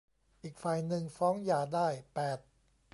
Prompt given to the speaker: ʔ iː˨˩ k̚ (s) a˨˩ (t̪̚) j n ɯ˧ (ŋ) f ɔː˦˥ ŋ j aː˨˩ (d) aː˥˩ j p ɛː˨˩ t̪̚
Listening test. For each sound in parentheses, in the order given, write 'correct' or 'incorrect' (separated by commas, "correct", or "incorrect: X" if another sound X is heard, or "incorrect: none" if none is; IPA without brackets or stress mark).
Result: incorrect: f, incorrect: none, correct, correct